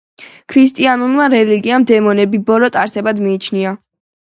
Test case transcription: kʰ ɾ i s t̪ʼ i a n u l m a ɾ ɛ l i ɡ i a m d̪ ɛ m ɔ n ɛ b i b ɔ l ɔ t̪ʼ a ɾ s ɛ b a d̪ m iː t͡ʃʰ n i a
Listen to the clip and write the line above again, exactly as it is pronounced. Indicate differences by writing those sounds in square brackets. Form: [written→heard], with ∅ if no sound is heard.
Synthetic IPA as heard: kʰ ɾ i s t̪ʼ i a n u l m a ɾ ɛ l i ɡ i a m d̪ ɛ m ɔ n ɛ b i b ɔ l ɔ t̪ʼ a ɾ s ɛ b a d̪ m iː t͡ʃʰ n i a